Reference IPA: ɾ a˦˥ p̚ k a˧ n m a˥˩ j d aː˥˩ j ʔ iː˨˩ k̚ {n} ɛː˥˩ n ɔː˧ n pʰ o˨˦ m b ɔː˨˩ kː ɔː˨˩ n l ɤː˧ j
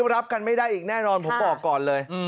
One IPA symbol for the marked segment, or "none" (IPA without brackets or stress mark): n